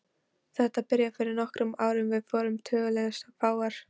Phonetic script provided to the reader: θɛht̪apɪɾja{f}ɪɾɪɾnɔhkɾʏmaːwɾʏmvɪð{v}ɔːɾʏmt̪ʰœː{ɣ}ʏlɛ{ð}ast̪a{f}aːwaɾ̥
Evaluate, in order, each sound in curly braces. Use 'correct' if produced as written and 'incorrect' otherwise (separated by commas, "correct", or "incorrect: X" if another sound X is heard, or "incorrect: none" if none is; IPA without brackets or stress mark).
correct, incorrect: f, correct, incorrect: ɣ, correct